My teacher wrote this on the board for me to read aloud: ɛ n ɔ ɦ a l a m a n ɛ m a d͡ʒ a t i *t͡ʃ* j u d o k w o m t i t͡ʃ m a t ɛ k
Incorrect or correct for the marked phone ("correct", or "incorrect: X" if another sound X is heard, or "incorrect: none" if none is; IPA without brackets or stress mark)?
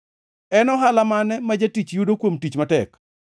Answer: correct